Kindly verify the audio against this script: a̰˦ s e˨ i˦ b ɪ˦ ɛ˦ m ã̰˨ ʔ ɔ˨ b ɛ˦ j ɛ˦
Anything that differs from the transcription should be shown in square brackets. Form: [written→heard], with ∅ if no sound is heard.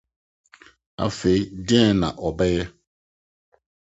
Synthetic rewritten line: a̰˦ [s→f] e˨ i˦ [b→d] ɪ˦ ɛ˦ [m→n] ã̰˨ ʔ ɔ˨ b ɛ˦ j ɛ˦